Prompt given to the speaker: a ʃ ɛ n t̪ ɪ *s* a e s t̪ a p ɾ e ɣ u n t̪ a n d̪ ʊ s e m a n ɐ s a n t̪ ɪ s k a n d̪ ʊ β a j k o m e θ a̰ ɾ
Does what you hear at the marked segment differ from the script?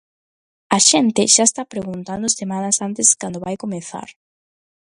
yes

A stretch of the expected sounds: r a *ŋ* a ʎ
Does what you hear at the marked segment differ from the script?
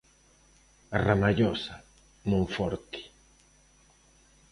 yes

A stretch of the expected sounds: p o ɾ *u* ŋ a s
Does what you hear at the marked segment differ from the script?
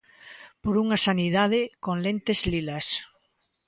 no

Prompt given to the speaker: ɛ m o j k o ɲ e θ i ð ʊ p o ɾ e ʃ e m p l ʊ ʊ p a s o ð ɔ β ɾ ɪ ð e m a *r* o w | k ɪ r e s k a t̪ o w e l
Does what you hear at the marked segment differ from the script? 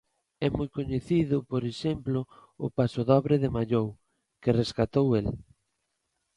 yes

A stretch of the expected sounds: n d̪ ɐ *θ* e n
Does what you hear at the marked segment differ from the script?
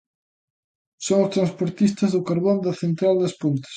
no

